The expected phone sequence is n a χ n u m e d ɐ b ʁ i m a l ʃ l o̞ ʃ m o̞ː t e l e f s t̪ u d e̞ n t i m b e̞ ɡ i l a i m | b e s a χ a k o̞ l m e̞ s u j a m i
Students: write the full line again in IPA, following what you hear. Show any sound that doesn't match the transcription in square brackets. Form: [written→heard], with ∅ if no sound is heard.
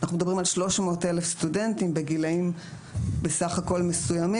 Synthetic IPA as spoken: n a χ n u m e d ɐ b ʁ i m a l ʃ l o̞ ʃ m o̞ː t e l e f s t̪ u d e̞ n t i m b e̞ ɡ i l a i m | b e s a χ a k o̞ l m e̞ s u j a m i